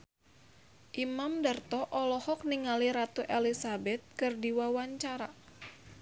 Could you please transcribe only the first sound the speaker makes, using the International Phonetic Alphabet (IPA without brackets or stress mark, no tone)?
ʔ